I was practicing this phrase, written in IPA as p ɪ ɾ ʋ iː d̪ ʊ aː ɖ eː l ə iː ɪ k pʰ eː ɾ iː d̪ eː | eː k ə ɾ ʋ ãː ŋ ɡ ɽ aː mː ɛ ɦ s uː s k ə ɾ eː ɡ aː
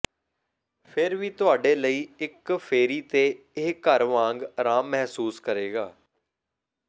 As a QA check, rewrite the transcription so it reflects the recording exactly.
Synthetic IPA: pʰ ɪ ɾ ʋ iː t̪ ʊ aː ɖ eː l ə iː ɪ k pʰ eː ɾ iː t̪ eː | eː k ə ɾ ʋ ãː ŋ ɡ ɾ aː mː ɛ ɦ s uː s k ə ɾ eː ɡ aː

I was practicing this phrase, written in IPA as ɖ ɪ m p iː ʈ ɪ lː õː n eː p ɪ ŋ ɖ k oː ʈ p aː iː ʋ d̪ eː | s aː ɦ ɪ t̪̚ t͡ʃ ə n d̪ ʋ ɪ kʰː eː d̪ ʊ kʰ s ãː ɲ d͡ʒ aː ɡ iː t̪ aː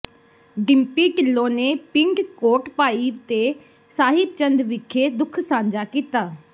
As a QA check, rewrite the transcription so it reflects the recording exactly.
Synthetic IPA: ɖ ɪ m p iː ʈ ɪ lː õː n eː p ɪ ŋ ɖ k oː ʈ p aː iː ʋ t̪ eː | s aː ɦ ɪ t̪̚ t͡ʃ ə n d̪ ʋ ɪ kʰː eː d̪ ʊ kʰ s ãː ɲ d͡ʒ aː k iː t̪ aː

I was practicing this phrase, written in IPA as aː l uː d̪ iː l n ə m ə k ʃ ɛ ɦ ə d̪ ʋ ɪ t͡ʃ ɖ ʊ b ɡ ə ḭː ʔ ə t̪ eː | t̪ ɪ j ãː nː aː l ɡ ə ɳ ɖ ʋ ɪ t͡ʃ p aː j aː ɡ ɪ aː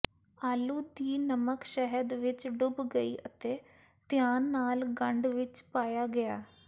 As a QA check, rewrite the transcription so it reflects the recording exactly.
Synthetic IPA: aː l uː d̪ iː n ə m ə k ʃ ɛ ɦ ə d̪ ʋ ɪ t͡ʃ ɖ ʊ b ɡ ə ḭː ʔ ə t̪ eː | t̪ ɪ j aː nː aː l ɡ ə ɳ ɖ ʋ ɪ t͡ʃ p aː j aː ɡ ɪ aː

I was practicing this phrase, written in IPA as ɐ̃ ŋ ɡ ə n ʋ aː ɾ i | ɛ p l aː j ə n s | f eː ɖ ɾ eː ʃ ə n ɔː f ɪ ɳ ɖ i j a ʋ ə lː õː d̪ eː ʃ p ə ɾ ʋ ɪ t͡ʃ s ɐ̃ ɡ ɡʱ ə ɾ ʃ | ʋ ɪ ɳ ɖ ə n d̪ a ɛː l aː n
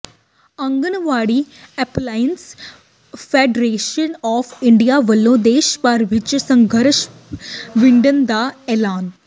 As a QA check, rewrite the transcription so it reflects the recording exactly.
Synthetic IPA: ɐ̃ ŋ ɡ ə n ʋ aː ɽ i | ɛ p l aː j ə n s | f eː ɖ ɾ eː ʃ ə n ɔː f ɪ ɳ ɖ i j a ʋ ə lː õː d̪ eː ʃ p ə ɾ ʋ ɪ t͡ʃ s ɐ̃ ŋ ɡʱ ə ɾ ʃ | ʋ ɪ ɳ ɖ ə n d̪ a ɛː l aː n

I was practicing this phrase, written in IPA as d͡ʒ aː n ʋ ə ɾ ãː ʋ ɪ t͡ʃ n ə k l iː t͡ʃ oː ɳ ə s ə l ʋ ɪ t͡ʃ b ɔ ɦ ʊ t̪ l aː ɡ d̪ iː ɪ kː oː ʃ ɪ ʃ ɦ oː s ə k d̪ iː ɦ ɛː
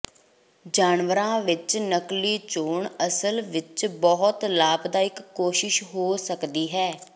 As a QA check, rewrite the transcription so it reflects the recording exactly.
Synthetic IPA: d͡ʒ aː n ʋ ə ɾ ãː ʋ ɪ t͡ʃ n ə k l iː t͡ʃ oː ɳ ə s ə l ʋ ɪ t͡ʃ b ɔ ɦ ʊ t̪ l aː b d̪ aː ɪ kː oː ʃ ɪ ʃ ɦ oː s ə k d̪ iː ɦ ɛː

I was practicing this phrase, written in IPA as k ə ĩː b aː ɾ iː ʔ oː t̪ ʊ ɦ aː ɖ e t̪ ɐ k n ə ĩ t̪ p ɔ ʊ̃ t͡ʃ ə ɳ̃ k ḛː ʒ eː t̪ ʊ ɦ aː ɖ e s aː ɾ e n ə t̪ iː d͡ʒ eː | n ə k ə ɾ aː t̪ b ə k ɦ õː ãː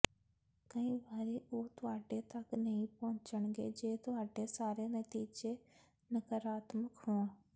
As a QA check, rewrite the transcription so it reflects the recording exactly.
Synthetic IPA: k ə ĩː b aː ɾ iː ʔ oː t̪ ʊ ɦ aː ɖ e t̪ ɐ k n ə ĩ p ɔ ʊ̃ t͡ʃ ə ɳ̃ ɡ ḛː d͡ʒ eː t̪ ʊ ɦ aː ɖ e s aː ɾ e n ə t̪ iː d͡ʒ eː | n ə k ə ɾ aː t̪ m ə k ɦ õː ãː

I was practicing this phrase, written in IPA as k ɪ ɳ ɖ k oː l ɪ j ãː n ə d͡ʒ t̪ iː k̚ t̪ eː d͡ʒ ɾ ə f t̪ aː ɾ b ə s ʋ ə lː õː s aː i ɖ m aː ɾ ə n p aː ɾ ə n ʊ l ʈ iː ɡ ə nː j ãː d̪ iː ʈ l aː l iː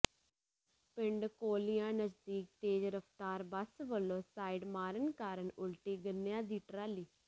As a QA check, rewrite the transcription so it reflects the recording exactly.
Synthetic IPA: p ɪ ɳ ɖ k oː l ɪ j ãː n ə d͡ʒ d̪ iː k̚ t̪ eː d͡ʒ ɾ ə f t̪ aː ɾ b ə s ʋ ə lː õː s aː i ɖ m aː ɾ ə n k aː ɾ ə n ʊ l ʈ iː ɡ ə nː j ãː d̪ iː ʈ ɾ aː l iː

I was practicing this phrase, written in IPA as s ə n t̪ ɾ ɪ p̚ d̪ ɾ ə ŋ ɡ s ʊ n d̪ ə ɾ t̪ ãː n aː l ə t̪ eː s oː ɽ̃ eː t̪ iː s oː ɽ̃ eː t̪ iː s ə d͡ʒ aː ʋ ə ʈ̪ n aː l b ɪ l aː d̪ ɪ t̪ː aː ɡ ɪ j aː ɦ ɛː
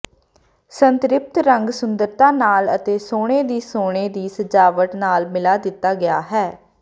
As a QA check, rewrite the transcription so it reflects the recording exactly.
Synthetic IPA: s ə n t̪ ɾ ɪ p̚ t̪ ɾ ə ŋ ɡ s ʊ n d̪ ə ɾ t̪ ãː n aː l ə t̪ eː s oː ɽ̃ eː d̪ iː s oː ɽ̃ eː d̪ iː s ə d͡ʒ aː ʋ ə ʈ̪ n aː l m ɪ l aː d̪ ɪ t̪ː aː ɡ ɪ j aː ɦ ɛː

